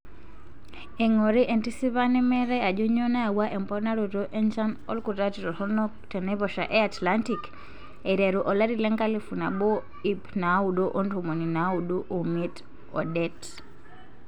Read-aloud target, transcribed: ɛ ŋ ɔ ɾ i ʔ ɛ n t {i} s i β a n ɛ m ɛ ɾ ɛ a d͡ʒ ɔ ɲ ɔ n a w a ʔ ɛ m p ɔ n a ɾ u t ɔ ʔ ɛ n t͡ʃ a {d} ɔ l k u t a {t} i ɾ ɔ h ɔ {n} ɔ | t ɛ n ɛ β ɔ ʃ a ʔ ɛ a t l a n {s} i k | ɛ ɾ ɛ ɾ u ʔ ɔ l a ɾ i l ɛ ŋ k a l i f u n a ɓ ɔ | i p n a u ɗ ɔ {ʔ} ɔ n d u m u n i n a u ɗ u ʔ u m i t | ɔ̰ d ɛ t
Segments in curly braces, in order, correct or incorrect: correct, incorrect: n, correct, correct, incorrect: t, correct

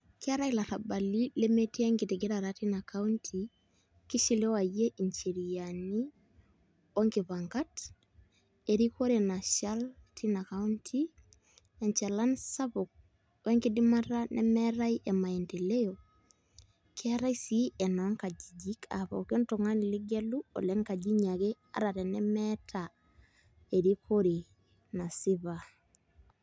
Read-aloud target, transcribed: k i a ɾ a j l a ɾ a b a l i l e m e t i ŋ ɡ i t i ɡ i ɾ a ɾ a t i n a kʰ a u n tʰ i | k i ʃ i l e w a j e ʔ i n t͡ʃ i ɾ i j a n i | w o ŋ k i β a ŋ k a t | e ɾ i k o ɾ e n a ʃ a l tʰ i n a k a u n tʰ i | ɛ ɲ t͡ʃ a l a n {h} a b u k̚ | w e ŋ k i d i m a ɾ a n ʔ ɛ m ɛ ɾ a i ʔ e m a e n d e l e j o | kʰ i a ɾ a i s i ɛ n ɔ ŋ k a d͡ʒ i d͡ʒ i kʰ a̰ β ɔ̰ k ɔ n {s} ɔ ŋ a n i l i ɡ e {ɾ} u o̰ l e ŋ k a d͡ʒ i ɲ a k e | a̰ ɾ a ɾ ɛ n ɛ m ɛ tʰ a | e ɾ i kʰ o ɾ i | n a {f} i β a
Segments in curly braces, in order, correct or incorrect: incorrect: s, incorrect: t, incorrect: l, incorrect: s

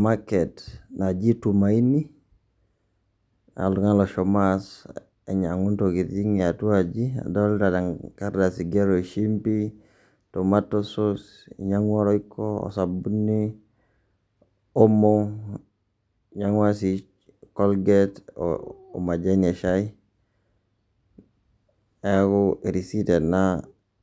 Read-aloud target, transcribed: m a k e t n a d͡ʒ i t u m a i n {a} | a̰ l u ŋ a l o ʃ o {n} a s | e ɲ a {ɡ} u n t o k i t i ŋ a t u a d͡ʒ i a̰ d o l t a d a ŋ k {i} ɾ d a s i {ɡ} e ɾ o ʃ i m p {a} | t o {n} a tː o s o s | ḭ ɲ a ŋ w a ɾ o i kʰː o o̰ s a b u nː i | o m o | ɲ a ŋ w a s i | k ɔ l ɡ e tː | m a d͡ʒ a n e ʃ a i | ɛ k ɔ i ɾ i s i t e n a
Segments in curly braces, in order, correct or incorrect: incorrect: i, incorrect: m, incorrect: ŋ, incorrect: a, correct, incorrect: i, incorrect: m

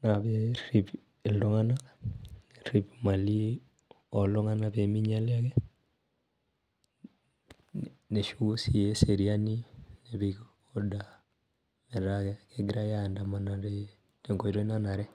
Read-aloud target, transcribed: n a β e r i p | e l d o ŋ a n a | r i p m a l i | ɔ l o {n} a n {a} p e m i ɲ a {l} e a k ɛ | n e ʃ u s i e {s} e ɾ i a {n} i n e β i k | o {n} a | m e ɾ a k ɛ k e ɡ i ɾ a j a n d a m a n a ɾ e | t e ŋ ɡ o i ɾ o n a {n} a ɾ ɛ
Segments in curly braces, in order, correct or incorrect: incorrect: ŋ, correct, correct, correct, correct, incorrect: d, correct

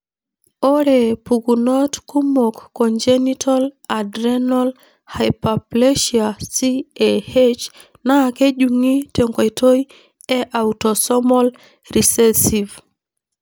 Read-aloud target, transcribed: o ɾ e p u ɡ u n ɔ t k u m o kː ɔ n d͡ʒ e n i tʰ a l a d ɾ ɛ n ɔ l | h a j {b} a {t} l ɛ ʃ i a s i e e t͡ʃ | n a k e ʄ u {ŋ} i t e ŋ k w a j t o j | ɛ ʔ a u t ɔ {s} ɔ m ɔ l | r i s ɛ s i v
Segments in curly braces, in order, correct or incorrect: incorrect: p, incorrect: p, correct, correct

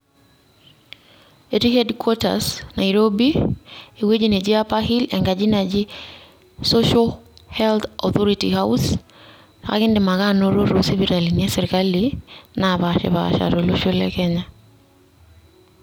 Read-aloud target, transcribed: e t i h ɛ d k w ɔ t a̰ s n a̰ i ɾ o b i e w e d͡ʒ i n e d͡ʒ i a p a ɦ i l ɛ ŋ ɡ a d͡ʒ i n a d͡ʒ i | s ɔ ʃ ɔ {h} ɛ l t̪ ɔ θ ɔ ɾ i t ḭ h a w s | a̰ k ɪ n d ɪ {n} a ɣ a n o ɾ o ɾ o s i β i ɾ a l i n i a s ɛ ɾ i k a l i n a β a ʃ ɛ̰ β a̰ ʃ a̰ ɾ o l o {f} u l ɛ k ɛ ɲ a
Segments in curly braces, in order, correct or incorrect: correct, incorrect: m, incorrect: ʃ

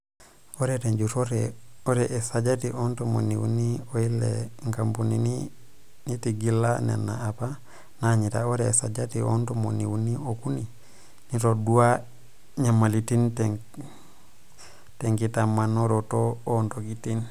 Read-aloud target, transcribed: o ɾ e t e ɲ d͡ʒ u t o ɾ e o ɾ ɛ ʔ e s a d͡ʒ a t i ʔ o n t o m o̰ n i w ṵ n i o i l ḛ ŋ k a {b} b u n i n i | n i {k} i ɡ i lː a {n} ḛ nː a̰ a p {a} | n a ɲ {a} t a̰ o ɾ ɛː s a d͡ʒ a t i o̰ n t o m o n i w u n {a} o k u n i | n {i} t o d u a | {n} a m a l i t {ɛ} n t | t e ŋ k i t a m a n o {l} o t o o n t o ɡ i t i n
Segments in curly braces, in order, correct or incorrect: incorrect: m, incorrect: t, correct, correct, incorrect: i, incorrect: i, correct, incorrect: ɲ, incorrect: i, incorrect: ɾ

